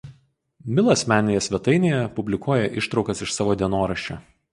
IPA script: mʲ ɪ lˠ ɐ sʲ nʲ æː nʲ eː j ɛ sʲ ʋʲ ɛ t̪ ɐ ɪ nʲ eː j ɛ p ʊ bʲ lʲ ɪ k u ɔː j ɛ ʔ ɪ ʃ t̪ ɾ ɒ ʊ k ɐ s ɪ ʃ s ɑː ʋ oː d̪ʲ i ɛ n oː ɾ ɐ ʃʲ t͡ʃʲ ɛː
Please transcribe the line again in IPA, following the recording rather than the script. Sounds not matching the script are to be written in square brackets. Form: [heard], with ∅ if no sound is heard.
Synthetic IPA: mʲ ɪ lˠ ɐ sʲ [mʲ] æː nʲ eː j ɛ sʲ ʋʲ ɛ t̪ ɐ ɪ nʲ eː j ɛ p ʊ bʲ lʲ ɪ k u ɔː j ɛ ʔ ɪ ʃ t̪ ɾ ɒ ʊ k ɐ s ɪ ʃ s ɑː ʋ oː d̪ʲ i ɛ n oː ɾ ɐ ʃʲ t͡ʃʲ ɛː